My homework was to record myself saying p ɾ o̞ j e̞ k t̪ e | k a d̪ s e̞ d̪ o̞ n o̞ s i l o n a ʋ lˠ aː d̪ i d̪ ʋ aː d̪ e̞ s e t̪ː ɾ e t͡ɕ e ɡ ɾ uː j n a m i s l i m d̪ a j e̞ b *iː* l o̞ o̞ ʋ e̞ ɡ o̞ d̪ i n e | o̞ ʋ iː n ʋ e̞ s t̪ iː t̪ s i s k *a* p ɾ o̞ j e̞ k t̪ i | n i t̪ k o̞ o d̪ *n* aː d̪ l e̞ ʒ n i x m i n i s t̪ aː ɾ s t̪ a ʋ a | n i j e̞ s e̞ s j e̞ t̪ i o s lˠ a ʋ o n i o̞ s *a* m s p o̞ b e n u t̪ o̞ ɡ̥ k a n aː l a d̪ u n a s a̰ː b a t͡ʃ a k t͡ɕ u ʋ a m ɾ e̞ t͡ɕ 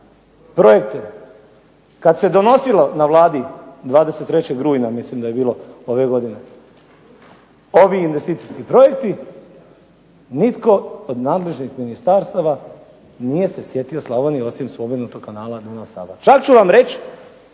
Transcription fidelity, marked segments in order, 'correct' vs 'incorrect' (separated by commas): correct, incorrect, correct, incorrect